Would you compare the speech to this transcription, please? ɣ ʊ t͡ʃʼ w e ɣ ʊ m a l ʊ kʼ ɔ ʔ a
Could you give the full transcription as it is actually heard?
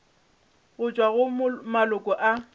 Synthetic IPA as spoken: ɣ ʊ t͡ʃʼ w a ɣ ʊ m a l ʊ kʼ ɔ ʔ a

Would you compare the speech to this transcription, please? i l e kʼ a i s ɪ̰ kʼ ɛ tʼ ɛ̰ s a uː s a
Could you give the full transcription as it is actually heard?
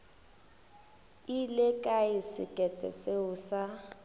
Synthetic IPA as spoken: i l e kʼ a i s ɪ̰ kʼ ɛ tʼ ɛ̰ s e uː s a

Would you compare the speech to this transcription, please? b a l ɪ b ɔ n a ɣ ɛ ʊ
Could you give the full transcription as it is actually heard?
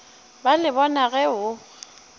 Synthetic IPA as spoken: b a l ɪ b ɔ n a ɣ ɛ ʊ

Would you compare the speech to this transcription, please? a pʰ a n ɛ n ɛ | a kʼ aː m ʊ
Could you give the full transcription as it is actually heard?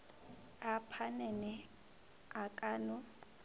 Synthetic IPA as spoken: a pʰ a n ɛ n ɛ | a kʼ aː n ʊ

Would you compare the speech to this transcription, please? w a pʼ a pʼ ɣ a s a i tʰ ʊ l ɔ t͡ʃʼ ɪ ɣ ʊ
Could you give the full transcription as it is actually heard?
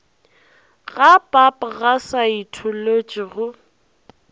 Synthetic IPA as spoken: ɣ a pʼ a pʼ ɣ a s a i tʰ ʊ l o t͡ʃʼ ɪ ɣ ʊ

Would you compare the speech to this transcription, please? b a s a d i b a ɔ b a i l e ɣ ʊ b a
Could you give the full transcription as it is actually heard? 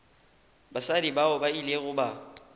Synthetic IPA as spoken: b a s a d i b a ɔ b a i l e ɣ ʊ b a

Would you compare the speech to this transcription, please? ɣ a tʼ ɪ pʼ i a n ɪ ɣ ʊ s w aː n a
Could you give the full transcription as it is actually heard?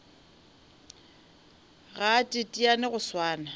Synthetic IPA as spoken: ɣ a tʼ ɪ tʼ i a n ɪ ɣ ʊ s w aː n a

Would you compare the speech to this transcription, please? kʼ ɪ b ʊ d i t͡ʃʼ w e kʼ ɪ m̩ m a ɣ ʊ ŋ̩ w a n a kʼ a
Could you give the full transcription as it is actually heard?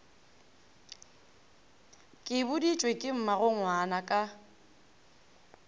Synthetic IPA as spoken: kʼ ɪ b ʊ d i t͡ʃʼ w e kʼ ɪ m̩ m a ɣ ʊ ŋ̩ w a n a kʼ a

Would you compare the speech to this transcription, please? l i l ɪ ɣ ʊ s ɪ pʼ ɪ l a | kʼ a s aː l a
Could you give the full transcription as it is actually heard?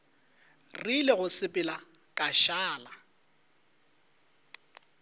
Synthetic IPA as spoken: r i l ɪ ɣ ʊ s ɪ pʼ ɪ l a | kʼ a ʃ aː l a

